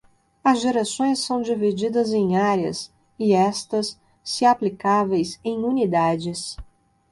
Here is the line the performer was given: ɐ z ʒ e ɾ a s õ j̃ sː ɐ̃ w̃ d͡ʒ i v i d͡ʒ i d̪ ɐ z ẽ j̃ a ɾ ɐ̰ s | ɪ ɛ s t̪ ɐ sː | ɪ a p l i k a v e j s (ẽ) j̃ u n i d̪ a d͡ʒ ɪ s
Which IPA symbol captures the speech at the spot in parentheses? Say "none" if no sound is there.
ẽ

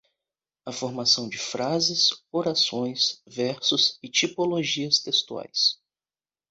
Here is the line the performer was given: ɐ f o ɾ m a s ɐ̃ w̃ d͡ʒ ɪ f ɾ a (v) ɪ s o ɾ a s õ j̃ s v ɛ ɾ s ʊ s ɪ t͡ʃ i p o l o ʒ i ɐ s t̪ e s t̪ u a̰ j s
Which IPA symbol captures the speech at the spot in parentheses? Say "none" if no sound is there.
z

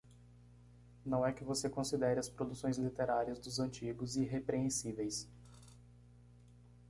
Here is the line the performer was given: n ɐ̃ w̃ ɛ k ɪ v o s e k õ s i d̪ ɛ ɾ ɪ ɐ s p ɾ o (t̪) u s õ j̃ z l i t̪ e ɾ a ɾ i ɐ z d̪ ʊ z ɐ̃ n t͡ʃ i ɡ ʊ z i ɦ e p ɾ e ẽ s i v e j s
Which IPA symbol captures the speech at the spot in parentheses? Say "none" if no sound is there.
d̪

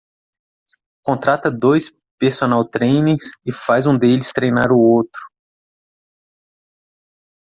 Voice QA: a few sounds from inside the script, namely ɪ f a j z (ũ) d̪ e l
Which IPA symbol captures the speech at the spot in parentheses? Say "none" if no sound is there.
ũ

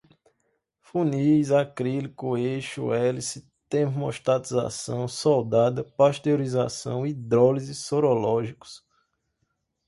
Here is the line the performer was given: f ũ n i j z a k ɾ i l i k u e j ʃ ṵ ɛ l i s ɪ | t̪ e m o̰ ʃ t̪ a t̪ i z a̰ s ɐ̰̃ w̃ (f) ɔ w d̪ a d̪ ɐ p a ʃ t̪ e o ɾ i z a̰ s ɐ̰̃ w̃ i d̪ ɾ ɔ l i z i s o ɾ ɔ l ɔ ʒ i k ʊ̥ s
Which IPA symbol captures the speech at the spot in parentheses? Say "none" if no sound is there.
s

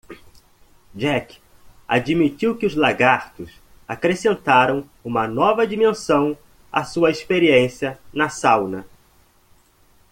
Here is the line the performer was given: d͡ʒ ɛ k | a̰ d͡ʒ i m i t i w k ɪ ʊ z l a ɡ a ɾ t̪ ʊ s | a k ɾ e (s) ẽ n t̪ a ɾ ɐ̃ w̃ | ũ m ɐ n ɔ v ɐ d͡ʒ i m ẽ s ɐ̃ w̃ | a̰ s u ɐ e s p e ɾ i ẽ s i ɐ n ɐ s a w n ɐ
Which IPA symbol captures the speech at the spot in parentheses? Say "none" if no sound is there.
s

